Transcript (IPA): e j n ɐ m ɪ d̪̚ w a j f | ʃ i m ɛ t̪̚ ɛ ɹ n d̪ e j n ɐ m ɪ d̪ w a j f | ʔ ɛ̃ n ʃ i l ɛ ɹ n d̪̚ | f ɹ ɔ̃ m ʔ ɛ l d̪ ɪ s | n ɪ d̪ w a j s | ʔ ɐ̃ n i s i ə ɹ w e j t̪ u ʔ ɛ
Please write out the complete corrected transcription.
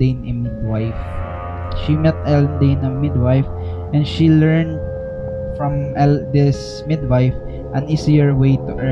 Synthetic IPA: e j n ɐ m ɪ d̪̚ w a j f | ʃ i m ɛ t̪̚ ɛ l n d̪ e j n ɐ m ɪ d̪ w a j f | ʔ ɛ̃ n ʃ i l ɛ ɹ n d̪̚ | f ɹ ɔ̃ m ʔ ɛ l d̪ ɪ s | m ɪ d̪ w a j f | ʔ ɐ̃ n i s i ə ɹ w e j t̪ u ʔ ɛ